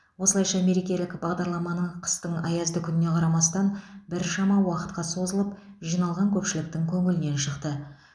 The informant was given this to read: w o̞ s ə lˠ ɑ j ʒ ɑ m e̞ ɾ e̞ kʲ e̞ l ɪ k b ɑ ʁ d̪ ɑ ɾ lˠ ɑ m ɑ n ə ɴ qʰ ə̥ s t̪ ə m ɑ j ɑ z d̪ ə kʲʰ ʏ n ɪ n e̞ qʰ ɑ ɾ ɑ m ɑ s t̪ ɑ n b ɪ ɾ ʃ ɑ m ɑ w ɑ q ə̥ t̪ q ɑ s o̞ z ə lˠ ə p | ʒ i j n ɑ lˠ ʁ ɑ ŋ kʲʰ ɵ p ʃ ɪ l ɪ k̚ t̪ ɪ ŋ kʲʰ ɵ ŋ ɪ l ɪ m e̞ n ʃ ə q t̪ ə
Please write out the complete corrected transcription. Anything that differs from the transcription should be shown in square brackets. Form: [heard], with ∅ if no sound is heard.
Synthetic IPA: w o̞ s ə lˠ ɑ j [ʃ] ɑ m e̞ ɾ e̞ kʲ e̞ l ɪ k b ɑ ʁ d̪ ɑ ɾ lˠ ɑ m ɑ n ə ɴ qʰ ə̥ s t̪ ə [ɴ] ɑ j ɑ z d̪ ə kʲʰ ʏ n ɪ n e̞ qʰ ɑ ɾ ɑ m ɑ s t̪ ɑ n b ɪ ɾ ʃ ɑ m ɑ w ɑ q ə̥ t̪ q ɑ s o̞ z ə lˠ ə p | ʒ i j n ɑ lˠ ʁ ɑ ŋ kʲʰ ɵ p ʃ ɪ l ɪ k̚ t̪ ɪ ŋ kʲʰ ɵ ŋ ɪ l ɪ [n] e̞ n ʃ ə q t̪ ə